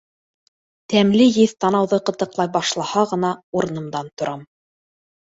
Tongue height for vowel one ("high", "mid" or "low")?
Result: low